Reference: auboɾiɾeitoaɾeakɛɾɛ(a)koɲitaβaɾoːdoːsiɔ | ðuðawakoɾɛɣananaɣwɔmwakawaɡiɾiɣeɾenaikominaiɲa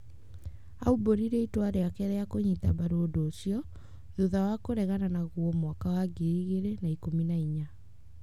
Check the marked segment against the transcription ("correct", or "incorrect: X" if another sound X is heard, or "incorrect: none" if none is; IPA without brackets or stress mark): correct